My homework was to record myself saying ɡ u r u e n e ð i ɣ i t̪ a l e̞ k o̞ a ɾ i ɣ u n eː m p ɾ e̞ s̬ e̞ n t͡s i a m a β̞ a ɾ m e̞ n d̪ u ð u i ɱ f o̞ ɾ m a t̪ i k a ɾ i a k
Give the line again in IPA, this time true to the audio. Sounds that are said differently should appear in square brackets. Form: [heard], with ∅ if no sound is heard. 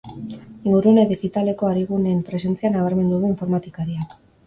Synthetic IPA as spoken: ɡ u [ɾ] u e n e ð i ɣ i t̪ a l e̞ k o̞ a ɾ i ɣ u n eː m p ɾ e̞ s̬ e̞ n t͡s i a [n] a β̞ a ɾ m e̞ n d̪ u ð u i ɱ f o̞ ɾ m a t̪ i k a ɾ i a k